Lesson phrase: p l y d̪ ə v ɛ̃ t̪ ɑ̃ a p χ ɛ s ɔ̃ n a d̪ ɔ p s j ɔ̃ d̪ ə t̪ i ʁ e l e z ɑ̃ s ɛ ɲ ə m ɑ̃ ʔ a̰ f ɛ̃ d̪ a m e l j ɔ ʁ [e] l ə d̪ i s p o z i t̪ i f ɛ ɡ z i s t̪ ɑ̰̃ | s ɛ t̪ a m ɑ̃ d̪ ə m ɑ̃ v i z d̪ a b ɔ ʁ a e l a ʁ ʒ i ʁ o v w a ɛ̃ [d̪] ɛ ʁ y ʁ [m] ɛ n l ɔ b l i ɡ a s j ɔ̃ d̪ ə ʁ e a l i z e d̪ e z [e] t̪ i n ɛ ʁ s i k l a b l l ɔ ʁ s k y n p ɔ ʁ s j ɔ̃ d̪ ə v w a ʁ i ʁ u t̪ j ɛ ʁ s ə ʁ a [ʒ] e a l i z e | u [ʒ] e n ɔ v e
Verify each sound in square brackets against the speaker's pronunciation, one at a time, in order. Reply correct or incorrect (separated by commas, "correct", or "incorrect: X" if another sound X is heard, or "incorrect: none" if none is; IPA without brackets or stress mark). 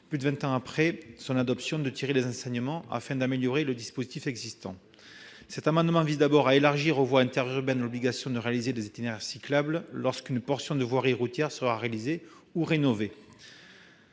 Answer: correct, incorrect: t̪, incorrect: b, correct, incorrect: ʁ, incorrect: ʁ